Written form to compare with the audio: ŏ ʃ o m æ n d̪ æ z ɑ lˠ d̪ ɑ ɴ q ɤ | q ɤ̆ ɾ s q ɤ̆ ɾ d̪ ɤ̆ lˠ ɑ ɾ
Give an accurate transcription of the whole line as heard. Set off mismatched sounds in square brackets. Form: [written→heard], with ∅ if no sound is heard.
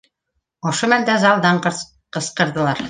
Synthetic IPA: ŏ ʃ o m æ n d̪ æ z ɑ lˠ d̪ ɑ ɴ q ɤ | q ɤ̆ [ɾ→∅] s q ɤ̆ ɾ d̪ ɤ̆ lˠ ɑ ɾ